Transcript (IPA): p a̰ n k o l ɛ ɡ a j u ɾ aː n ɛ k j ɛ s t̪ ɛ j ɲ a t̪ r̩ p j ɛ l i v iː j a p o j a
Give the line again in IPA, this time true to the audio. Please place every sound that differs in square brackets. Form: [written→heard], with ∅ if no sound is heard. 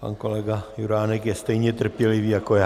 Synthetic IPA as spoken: p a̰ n k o l ɛ ɡ a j u ɾ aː n ɛ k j ɛ s t̪ ɛ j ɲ [a→ɛ] t̪ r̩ p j ɛ l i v iː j a [p→k] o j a